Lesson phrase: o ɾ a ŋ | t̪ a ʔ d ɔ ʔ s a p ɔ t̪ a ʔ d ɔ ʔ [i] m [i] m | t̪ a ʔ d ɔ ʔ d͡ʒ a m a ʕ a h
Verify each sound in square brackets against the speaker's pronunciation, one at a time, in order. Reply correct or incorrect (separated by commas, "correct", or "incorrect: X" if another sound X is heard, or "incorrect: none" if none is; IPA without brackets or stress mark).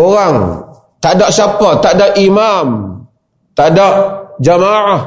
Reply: correct, incorrect: a